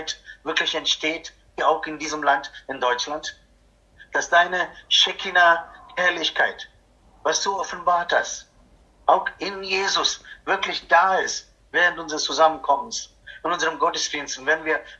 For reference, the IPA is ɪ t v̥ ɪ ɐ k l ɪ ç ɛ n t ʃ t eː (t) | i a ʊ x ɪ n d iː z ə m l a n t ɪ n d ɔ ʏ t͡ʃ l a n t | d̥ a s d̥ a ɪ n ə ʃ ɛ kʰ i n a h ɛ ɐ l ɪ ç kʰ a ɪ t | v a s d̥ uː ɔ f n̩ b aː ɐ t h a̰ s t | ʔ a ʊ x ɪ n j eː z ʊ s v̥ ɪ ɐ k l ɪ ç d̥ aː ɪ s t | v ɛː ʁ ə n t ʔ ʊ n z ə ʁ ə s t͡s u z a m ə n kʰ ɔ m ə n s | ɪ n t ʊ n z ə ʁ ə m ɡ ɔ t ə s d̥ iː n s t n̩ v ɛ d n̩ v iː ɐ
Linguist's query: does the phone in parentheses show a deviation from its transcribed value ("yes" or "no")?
no